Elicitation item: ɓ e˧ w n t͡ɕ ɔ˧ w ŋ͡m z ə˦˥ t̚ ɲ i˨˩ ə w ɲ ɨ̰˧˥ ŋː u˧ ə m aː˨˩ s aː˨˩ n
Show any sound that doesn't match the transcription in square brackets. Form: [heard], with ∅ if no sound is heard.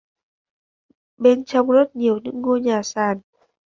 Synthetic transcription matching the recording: ɓ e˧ [∅] n t͡ɕ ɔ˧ w ŋ͡m z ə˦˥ t̚ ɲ i˨˩ ə w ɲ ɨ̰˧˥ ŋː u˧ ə [ɲ] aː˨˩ s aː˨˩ n